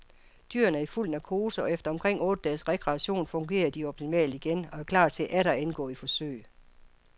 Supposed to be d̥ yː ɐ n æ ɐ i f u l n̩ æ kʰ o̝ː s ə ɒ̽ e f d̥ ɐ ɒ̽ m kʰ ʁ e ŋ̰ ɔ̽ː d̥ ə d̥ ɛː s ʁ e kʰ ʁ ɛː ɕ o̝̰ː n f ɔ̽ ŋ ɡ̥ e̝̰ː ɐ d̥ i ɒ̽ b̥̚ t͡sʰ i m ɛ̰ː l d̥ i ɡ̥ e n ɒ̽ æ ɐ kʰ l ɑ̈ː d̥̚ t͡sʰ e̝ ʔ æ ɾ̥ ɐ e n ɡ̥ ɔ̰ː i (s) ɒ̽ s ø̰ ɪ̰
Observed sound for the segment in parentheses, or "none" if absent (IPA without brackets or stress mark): f